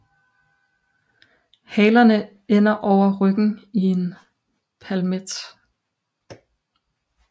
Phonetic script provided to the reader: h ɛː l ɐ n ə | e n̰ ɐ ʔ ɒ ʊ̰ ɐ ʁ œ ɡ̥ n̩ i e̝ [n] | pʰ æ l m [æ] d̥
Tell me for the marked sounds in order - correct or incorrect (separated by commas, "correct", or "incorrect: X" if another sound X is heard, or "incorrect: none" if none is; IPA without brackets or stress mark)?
correct, incorrect: e